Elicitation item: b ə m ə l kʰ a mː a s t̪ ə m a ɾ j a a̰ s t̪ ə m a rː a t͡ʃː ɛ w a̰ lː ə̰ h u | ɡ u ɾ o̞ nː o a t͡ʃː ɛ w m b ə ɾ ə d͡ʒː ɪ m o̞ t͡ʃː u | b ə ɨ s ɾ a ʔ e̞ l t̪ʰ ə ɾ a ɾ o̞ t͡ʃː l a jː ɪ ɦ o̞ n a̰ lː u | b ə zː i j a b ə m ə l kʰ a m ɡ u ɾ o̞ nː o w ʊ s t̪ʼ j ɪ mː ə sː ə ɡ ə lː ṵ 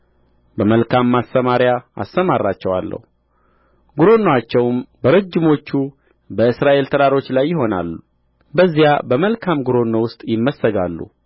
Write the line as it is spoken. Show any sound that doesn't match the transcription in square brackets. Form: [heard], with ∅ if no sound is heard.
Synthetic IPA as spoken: b ə m ə l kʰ a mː a s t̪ ə m a ɾ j a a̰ s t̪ ə m a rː a t͡ʃː ɛ w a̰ lː ə̰ h u | ɡ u ɾ o̞ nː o a t͡ʃː ɛ w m b ə ɾ ə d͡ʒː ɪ m o̞ t͡ʃː u | b ə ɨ s ɾ a ʔ e̞ l t̪ʰ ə ɾ a ɾ o̞ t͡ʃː l a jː ɪ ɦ o̞ n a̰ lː u | b ə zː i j a b ə m ə l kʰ a m ɡ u ɾ o̞ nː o w ʊ s t̪ʼ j ɪ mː ə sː ə ɡ [a] lː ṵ